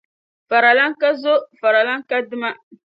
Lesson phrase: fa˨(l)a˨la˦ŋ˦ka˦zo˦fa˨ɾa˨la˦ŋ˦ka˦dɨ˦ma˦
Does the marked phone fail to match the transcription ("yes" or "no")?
yes